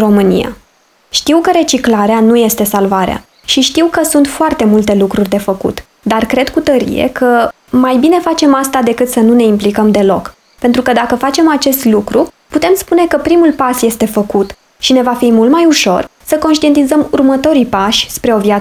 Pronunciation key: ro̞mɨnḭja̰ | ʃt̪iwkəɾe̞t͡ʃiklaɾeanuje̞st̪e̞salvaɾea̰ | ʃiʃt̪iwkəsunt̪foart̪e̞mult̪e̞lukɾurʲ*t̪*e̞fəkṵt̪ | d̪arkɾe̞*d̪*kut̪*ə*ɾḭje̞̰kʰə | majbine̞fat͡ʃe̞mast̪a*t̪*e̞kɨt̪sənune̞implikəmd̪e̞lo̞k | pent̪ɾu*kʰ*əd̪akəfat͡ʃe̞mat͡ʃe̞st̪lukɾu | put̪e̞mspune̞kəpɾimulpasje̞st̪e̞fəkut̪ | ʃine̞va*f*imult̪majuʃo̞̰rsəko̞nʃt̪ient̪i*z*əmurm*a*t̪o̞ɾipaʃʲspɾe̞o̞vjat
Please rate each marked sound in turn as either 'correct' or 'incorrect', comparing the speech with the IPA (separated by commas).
incorrect, correct, correct, incorrect, incorrect, correct, correct, incorrect